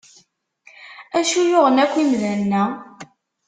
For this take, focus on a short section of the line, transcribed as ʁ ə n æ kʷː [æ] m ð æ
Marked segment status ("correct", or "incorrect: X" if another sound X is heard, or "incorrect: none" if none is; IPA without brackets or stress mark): incorrect: i